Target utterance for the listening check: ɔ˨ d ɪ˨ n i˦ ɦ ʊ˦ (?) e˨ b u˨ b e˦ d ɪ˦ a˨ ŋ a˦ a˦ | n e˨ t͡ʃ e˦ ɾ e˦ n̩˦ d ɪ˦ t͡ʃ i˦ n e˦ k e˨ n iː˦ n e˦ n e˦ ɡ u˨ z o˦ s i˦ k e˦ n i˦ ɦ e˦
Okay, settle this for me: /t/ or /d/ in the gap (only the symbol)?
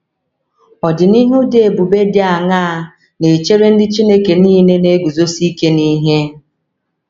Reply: d